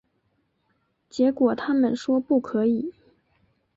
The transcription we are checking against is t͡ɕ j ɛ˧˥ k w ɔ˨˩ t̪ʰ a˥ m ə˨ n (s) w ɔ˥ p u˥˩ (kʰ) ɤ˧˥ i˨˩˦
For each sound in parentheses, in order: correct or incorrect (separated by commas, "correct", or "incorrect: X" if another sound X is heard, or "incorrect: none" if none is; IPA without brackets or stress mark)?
incorrect: ʂ, correct